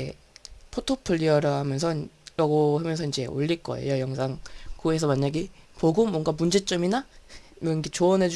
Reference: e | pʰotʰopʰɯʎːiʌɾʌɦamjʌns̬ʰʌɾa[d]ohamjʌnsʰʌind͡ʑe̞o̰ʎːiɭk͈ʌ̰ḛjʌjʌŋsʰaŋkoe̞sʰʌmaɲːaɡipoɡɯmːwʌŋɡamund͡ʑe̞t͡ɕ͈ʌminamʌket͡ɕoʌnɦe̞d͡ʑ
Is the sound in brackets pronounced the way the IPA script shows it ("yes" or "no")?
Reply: no